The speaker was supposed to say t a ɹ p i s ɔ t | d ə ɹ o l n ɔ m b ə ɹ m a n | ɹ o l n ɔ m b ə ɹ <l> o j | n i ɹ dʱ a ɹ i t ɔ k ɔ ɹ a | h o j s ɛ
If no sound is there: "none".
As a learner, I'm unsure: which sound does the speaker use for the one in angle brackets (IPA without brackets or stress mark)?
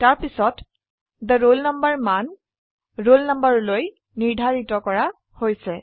l